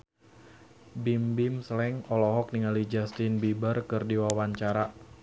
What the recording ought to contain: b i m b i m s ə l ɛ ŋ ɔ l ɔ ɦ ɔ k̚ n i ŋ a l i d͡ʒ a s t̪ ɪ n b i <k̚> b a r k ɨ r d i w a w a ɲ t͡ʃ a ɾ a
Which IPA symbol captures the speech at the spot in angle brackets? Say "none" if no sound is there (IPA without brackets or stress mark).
none